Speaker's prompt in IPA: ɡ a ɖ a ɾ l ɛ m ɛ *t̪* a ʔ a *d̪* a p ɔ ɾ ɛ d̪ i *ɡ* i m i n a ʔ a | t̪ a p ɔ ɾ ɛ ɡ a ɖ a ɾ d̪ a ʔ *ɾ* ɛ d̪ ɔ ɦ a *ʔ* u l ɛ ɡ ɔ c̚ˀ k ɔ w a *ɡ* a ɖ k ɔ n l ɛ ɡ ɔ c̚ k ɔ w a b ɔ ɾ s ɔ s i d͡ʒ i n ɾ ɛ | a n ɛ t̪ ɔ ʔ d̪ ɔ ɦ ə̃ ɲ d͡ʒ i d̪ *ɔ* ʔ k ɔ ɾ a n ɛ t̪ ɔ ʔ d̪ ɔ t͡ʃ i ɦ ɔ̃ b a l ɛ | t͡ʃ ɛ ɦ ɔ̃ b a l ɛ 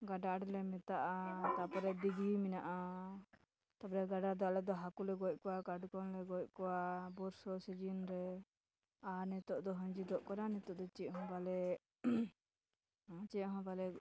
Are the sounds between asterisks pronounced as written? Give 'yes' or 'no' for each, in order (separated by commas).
yes, no, yes, no, no, no, yes